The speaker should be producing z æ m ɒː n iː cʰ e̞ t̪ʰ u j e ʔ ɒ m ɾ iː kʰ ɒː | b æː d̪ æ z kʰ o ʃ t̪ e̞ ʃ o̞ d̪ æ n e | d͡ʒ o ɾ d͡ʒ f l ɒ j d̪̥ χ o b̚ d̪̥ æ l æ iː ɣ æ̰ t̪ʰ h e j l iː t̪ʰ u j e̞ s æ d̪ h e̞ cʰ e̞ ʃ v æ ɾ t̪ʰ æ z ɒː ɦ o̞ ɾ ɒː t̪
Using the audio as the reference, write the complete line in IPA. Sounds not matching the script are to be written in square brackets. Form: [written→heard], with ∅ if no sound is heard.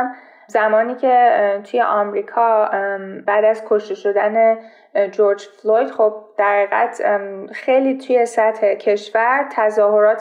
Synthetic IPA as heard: z æ m ɒː n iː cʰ e̞ t̪ʰ u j e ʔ ɒ m ɾ iː kʰ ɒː | b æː d̪ æ z kʰ o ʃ t̪ e̞ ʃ o̞ d̪ æ n e | d͡ʒ o ɾ d͡ʒ f l [ɒ→o] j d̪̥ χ o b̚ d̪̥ æ [l→ɾ] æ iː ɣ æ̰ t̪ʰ [h→x] e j l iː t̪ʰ u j e̞ s æ [d̪→t̪] h e̞ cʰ e̞ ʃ v æ ɾ t̪ʰ æ z ɒː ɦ o̞ ɾ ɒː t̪